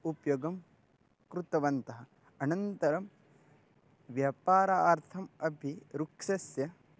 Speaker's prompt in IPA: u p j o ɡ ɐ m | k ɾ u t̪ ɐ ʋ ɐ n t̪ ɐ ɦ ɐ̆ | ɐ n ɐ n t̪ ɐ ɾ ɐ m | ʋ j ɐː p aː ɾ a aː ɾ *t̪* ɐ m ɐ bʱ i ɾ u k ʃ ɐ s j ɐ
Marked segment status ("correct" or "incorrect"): incorrect